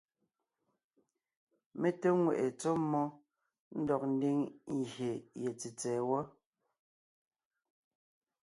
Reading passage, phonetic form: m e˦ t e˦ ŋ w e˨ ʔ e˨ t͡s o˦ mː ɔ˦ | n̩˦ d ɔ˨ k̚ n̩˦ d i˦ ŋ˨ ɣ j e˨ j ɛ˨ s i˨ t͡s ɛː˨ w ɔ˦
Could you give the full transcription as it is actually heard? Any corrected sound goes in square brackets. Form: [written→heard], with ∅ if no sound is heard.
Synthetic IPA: m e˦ t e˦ ŋ w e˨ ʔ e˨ t͡s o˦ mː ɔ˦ | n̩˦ d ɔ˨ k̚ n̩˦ d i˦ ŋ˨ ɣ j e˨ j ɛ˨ [s→t͡s] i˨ t͡s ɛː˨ w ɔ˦